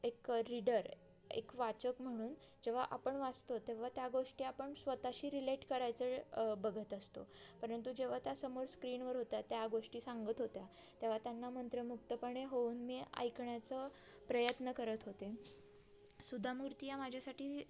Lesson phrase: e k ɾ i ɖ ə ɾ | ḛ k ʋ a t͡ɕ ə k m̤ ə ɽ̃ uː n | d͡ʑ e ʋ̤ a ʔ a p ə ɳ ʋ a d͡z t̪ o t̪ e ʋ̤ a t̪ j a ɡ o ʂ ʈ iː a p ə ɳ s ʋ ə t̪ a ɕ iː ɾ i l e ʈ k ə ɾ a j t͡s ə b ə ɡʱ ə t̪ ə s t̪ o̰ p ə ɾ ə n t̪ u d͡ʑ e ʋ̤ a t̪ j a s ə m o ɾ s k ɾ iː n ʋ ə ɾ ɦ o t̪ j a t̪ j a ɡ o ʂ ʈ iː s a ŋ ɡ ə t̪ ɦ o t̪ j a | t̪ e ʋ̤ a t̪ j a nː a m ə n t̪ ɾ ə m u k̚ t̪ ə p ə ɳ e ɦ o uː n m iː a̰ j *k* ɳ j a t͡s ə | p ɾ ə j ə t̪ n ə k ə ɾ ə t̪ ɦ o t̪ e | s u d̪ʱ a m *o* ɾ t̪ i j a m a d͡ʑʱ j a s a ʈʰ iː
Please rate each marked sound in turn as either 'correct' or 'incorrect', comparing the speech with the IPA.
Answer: correct, incorrect

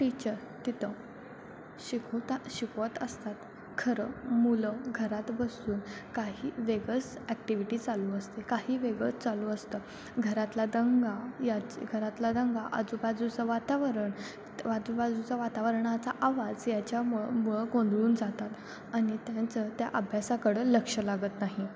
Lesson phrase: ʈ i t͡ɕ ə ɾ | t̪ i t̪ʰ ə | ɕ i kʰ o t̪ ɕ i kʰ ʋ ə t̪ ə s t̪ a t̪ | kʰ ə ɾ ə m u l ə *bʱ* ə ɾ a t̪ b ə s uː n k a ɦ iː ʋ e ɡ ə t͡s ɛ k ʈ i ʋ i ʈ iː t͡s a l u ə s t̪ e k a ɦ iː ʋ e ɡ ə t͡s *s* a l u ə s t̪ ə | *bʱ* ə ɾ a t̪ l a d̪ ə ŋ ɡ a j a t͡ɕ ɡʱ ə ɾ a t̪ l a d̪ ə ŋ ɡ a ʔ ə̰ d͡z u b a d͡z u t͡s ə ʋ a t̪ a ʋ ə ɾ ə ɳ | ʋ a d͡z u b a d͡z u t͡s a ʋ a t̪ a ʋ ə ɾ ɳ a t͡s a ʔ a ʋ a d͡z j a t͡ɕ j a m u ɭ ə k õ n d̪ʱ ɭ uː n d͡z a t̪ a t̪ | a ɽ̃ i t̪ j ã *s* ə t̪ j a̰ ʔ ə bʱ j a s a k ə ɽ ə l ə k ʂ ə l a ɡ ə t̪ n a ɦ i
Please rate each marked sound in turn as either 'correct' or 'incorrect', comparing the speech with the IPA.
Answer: incorrect, incorrect, incorrect, incorrect

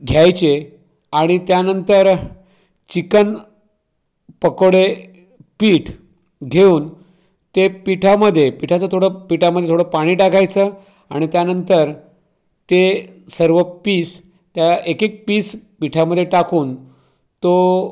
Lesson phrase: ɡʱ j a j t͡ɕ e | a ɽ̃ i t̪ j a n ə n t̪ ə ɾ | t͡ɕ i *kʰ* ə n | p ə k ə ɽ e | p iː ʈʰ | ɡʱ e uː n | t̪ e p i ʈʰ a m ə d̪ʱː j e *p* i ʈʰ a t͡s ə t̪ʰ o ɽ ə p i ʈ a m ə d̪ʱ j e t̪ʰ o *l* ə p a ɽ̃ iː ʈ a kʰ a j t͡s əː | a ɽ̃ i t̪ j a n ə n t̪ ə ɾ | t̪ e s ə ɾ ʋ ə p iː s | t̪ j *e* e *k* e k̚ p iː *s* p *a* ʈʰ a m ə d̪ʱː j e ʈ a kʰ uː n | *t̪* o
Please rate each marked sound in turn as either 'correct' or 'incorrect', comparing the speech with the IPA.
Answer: incorrect, correct, incorrect, incorrect, correct, correct, incorrect, correct

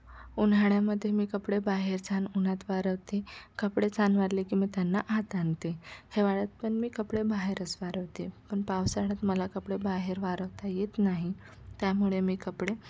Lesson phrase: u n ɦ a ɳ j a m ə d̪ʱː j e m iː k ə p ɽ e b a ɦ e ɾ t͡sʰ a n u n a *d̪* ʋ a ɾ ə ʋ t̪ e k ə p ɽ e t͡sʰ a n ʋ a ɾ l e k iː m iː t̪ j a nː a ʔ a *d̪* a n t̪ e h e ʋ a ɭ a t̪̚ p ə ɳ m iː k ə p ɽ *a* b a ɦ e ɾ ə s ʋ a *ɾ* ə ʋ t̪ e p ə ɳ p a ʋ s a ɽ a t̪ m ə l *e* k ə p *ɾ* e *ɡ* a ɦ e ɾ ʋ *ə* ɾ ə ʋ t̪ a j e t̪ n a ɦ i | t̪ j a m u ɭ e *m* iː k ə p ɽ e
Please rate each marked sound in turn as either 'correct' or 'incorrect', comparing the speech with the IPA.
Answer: incorrect, incorrect, incorrect, correct, incorrect, incorrect, incorrect, incorrect, correct

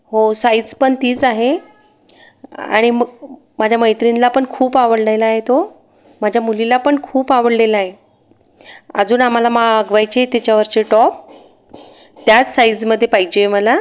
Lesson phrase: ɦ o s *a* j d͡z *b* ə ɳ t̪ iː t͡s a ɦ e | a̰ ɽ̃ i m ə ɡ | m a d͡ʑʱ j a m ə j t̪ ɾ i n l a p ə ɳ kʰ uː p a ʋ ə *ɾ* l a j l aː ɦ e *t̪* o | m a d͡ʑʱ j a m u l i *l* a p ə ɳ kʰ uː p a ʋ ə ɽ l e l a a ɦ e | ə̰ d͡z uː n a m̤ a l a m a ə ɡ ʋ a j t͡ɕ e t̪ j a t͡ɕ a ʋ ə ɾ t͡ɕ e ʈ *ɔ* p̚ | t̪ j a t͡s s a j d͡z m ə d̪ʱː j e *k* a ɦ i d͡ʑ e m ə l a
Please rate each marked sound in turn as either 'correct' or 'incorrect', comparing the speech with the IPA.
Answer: correct, incorrect, incorrect, correct, correct, correct, incorrect

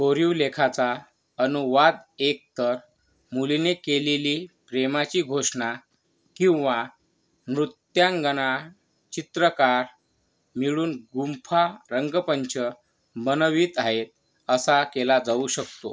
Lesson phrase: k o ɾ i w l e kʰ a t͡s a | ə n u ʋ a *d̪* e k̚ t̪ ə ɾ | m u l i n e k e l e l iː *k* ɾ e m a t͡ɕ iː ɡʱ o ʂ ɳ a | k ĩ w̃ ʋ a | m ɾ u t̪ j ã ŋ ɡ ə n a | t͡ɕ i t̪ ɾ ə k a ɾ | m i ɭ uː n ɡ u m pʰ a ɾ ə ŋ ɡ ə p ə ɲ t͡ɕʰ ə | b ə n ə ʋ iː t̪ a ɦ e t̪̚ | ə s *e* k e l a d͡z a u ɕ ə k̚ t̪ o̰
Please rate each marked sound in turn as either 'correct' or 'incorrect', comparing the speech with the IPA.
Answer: correct, incorrect, incorrect

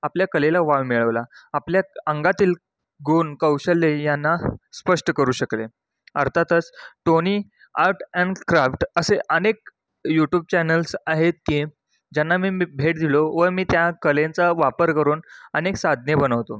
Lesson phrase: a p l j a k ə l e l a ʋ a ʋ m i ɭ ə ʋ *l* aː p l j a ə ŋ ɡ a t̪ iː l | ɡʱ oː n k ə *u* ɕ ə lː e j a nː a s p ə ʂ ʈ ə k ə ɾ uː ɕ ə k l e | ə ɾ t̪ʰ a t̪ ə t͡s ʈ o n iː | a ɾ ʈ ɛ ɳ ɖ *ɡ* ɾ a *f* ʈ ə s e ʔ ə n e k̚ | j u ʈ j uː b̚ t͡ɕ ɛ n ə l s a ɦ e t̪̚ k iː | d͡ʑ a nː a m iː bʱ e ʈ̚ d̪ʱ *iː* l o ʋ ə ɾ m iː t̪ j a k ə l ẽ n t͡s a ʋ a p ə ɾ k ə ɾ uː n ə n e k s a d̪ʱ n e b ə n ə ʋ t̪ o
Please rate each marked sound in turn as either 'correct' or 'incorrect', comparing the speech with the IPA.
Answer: correct, incorrect, incorrect, correct, incorrect

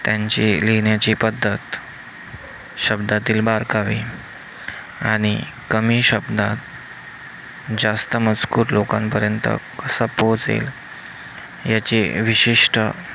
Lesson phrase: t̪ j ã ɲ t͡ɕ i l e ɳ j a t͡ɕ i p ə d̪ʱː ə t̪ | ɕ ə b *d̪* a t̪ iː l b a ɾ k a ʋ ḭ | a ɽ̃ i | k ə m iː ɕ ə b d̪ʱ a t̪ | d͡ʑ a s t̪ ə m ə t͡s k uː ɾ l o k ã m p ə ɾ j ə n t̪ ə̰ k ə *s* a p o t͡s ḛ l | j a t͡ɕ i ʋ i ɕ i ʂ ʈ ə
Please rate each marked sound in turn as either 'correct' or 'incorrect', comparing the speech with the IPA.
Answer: correct, correct

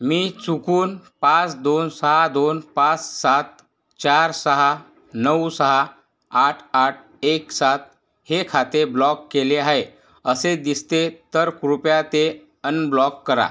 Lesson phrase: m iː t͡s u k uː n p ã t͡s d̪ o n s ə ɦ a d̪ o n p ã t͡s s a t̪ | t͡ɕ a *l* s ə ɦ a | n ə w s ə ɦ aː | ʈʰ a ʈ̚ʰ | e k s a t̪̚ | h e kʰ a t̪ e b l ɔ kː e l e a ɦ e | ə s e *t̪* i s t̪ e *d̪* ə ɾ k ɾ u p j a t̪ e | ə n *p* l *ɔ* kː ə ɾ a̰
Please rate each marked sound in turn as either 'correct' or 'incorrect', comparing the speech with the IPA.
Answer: incorrect, incorrect, incorrect, incorrect, correct

